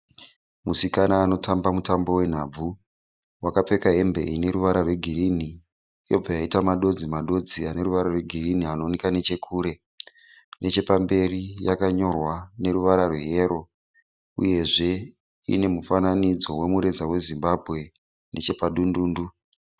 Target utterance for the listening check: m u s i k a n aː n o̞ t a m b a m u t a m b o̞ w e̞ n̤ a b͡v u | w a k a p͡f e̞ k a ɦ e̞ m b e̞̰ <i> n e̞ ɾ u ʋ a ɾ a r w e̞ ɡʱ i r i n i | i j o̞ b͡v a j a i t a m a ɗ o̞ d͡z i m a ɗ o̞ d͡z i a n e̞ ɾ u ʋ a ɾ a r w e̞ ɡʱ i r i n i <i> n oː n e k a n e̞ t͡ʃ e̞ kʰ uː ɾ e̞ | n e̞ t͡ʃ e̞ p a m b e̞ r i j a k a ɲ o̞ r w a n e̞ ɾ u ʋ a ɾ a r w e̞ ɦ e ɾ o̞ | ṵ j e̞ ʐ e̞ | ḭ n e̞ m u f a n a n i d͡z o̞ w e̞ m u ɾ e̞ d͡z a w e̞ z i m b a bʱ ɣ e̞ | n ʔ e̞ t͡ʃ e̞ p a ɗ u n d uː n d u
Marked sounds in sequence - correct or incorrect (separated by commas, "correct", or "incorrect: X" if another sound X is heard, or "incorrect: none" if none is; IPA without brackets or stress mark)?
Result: correct, incorrect: a